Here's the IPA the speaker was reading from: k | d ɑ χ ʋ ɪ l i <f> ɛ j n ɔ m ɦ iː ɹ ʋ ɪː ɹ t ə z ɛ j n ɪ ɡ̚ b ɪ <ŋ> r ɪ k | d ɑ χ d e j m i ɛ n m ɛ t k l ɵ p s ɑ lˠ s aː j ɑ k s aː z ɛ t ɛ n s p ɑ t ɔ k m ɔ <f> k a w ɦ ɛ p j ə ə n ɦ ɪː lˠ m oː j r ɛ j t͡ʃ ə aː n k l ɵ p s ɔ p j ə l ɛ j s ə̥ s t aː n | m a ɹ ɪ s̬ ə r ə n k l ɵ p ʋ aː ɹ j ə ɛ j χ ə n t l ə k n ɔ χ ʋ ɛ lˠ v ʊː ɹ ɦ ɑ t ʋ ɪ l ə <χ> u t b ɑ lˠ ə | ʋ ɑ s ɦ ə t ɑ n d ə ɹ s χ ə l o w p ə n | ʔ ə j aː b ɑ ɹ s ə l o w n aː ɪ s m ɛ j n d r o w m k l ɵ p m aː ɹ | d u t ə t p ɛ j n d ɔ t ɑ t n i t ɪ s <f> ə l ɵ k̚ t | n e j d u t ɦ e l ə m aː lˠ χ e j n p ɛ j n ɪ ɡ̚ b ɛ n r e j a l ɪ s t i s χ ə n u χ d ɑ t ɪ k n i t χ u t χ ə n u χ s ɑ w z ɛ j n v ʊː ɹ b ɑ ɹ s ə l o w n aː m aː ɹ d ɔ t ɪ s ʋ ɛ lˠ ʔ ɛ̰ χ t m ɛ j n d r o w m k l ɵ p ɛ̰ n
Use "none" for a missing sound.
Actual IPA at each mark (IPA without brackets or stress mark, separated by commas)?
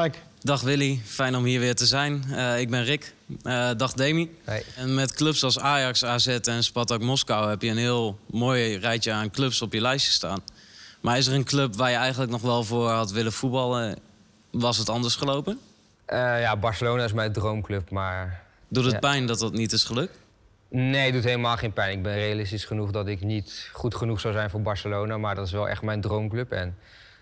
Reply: f, n, s, f, χ